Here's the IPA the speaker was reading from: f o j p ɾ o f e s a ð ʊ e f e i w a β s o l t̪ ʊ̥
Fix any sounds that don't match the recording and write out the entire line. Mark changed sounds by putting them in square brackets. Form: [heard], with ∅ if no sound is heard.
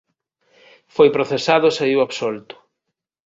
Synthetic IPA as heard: f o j p ɾ o [θ] e s a ð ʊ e [s] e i w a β s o l t̪ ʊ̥